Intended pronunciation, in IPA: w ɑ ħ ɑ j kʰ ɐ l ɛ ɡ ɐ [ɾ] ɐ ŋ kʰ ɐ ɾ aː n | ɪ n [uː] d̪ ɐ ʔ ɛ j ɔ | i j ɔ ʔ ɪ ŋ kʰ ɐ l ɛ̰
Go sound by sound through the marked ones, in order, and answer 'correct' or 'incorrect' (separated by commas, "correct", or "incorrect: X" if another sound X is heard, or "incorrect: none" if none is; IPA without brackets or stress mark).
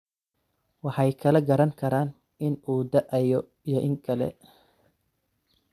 correct, correct